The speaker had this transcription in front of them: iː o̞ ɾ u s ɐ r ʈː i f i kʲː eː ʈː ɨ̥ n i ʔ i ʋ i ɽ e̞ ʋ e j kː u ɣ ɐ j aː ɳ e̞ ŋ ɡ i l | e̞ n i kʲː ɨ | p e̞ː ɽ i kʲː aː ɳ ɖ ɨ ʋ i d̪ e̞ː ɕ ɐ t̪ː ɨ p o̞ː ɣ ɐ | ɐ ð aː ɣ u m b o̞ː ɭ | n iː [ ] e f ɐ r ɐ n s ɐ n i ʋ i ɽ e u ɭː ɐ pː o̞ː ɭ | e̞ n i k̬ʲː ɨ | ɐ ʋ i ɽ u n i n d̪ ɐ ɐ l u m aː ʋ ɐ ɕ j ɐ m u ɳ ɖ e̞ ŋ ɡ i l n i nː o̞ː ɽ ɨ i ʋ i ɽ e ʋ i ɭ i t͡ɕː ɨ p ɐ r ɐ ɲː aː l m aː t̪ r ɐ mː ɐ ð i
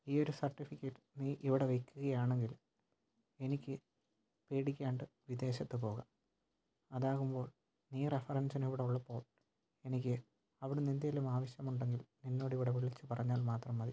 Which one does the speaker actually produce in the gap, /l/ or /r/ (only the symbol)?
r